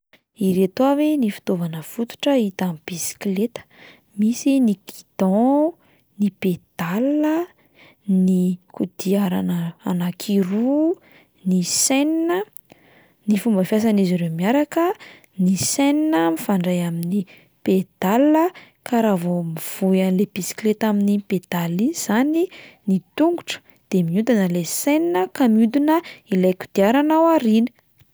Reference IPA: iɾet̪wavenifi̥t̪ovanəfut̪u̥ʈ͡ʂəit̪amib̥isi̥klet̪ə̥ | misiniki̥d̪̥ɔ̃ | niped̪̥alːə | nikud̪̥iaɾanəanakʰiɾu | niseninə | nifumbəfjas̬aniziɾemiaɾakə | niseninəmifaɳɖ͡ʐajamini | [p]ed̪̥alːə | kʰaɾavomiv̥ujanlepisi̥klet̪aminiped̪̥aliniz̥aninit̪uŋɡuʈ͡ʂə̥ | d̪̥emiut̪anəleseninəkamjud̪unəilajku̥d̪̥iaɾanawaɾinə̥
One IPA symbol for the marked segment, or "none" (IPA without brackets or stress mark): p